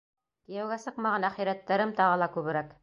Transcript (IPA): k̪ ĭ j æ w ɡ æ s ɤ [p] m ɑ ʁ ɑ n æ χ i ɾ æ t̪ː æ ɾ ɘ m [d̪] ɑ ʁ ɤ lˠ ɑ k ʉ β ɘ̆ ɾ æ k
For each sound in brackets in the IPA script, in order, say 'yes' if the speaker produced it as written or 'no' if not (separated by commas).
no, no